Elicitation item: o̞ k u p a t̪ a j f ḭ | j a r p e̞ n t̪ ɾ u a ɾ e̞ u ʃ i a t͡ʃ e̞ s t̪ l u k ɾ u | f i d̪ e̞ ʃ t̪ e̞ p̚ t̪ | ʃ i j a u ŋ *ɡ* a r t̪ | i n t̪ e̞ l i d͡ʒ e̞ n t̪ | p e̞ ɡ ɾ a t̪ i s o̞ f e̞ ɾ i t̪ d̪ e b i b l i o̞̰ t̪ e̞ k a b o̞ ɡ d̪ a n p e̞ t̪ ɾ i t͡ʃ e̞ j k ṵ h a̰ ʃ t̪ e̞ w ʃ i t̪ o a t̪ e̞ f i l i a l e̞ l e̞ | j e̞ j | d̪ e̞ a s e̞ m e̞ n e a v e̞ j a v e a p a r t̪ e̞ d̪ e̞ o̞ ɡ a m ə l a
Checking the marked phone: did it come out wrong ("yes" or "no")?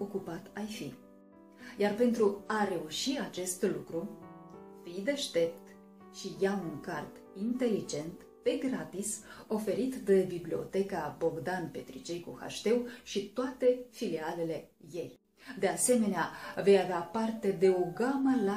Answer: yes